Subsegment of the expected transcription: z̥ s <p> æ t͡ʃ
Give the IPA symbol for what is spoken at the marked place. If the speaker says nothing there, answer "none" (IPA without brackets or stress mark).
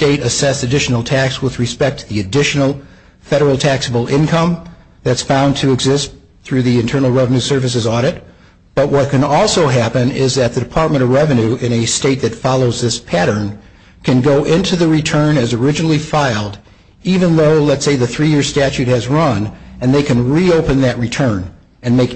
t